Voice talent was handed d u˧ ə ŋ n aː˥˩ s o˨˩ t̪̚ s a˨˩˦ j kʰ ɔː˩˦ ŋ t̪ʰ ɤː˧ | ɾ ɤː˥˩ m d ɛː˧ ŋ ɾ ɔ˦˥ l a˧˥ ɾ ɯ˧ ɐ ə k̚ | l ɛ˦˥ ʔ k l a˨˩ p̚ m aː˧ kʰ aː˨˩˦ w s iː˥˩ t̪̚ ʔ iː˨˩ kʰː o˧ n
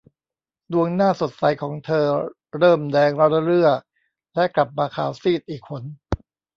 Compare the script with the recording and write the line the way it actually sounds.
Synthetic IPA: d u˧ ə ŋ n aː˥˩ s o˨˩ t̪̚ s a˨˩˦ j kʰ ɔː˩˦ ŋ t̪ʰ ɤː˧ | ɾ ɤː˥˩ m d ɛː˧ ŋ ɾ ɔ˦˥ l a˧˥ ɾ ɯ˥˩ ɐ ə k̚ | l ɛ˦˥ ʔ k l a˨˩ p̚ m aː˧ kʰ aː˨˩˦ w s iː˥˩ t̪̚ ʔ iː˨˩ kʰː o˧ n